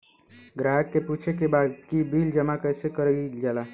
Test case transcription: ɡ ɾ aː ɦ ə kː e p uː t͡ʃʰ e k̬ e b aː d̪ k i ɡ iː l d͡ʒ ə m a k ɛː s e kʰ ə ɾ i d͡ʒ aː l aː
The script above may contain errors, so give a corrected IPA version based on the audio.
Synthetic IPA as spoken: ɡ ɾ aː ɦ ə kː e p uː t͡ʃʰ e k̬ e b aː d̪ k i b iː l d͡ʒ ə m a k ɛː s e k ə ɾ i d͡ʒ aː l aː